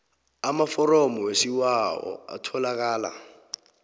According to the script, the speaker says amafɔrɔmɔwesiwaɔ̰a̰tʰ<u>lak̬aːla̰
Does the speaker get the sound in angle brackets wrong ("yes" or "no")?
yes